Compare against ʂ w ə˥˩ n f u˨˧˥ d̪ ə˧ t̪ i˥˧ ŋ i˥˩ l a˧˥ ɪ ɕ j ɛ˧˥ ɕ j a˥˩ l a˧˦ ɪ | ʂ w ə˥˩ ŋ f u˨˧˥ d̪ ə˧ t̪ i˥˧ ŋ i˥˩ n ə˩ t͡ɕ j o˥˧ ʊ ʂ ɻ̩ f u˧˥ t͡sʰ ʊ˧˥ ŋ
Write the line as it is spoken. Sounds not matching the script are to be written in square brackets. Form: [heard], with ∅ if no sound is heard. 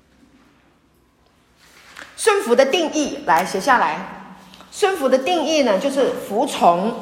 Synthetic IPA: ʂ w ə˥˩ n f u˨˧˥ d̪ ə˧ t̪ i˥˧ ŋ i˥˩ l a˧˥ ɪ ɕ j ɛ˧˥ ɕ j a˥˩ l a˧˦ ɪ | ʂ w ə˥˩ [n] f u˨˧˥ d̪ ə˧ t̪ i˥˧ ŋ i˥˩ n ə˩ t͡ɕ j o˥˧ ʊ ʂ ɻ̩ f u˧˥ t͡sʰ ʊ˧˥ ŋ